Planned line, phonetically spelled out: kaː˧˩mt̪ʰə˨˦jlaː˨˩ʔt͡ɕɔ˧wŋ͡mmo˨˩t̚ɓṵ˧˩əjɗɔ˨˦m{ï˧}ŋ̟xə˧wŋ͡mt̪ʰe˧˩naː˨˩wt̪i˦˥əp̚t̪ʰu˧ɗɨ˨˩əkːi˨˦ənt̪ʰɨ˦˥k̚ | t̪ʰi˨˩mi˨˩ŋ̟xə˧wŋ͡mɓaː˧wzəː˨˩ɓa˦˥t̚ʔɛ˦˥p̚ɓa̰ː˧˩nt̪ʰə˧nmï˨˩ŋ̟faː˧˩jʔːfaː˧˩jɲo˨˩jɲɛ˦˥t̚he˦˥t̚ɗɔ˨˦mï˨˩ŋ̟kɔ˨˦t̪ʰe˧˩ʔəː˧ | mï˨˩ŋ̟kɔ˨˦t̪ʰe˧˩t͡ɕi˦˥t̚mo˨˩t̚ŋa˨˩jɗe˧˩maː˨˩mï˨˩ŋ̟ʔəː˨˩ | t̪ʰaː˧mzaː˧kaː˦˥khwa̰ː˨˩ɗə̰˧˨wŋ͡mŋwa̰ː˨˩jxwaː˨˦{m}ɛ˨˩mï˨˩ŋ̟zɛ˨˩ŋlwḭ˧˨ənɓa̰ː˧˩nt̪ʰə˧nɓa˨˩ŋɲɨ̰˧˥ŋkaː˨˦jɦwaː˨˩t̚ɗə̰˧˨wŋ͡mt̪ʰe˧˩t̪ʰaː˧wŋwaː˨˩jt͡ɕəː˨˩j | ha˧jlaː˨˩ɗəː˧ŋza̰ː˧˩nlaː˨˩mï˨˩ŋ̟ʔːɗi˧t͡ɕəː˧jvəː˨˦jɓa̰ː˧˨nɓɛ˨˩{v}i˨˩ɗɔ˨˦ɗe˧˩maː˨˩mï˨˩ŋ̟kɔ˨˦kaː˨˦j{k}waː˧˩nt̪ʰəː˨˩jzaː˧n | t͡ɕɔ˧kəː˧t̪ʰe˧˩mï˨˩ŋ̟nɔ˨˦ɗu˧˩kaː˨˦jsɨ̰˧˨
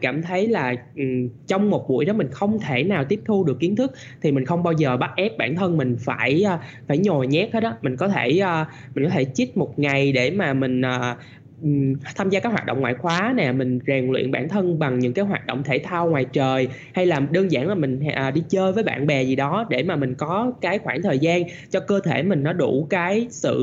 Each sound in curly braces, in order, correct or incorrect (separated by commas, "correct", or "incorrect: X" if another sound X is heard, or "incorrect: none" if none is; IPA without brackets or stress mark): incorrect: ï˨˩, incorrect: n, incorrect: z, incorrect: x